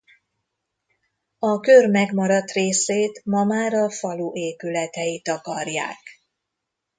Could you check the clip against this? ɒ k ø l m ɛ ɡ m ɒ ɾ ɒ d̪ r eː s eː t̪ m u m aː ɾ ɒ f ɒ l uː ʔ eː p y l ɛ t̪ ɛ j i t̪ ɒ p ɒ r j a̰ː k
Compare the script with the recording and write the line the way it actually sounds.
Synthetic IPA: ɒ k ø r m ɛ ɡ m ɒ ɾ ɒ t̪ r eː s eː t̪ m ɒ m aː ɾ ɒ f ɒ l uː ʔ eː p y l ɛ t̪ ɛ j i t̪ ɒ k ɒ r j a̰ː k